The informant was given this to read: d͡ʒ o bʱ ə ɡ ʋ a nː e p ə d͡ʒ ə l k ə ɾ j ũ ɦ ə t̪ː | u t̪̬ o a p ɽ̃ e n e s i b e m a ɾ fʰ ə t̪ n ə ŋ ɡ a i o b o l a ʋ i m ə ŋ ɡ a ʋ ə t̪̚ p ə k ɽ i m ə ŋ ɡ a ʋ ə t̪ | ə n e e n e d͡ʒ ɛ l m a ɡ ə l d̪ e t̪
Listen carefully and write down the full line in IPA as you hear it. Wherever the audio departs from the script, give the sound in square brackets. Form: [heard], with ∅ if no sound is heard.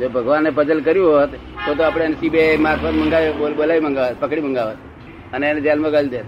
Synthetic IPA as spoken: d͡ʒ o bʱ ə ɡ ʋ a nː e p ə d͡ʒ ə l k ə ɾ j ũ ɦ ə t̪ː | [o] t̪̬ o a p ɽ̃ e n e s i b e m a ɾ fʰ ə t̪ [m] ə ŋ ɡ a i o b o l a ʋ i m ə ŋ ɡ a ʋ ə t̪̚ p ə k ɽ i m ə ŋ ɡ a ʋ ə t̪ | ə n e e n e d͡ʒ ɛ l m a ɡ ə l d̪ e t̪